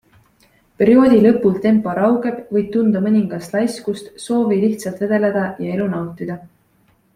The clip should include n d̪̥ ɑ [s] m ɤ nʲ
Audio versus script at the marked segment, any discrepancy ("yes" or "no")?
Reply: yes